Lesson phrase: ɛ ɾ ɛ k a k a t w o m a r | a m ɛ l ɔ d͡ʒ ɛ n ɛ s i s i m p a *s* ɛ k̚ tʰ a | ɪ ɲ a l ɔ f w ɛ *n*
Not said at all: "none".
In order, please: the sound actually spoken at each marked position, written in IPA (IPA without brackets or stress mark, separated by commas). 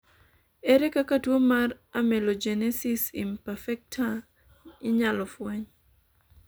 f, ɲ